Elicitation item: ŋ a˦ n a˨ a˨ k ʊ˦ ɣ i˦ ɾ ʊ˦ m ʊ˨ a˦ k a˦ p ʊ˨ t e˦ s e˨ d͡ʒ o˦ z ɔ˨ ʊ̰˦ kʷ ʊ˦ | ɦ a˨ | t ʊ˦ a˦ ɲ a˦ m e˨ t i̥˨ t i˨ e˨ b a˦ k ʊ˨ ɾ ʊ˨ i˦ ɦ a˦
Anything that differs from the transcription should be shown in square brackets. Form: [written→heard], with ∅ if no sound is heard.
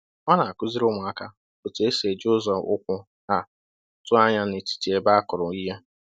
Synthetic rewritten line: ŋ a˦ n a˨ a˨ k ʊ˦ [ɣ→z] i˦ ɾ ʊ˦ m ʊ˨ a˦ k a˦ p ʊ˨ t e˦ s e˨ d͡ʒ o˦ z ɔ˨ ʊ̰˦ kʷ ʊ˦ | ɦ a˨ | t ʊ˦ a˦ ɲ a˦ [m→n] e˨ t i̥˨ t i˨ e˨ b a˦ k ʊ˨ ɾ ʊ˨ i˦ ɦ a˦